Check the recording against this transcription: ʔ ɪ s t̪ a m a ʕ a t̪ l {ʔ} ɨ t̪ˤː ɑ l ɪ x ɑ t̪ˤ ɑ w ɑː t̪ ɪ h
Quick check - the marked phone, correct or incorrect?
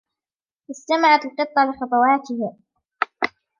incorrect